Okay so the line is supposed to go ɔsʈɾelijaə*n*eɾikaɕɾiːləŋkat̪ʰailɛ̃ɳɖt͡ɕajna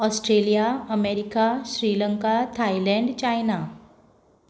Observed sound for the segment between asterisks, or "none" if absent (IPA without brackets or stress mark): m